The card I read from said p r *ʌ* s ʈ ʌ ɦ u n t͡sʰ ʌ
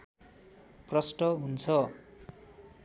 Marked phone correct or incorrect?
correct